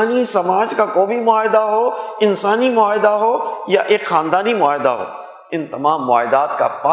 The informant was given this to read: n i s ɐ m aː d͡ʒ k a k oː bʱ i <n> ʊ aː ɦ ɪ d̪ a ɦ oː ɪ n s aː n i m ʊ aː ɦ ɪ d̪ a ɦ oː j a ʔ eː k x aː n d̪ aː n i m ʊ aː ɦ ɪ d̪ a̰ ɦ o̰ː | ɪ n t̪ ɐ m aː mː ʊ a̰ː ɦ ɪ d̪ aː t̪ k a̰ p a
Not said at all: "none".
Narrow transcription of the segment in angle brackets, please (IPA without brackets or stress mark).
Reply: m